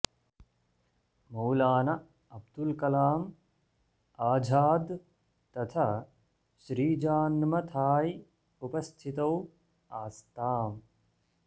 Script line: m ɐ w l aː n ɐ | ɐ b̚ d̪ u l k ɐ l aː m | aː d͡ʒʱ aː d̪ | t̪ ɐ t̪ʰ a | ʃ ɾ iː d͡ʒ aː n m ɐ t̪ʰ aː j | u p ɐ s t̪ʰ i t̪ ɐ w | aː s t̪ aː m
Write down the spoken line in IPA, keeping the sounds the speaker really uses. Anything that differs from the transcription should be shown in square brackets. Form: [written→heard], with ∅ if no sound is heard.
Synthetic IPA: m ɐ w l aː n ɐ | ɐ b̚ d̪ u l k ɐ l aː m | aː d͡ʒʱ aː d̪ | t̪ ɐ t̪ʰ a | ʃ ɾ iː d͡ʒ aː n m ɐ t̪ʰ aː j | u p ɐ s t̪ʰ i t̪ ɐ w | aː s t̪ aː m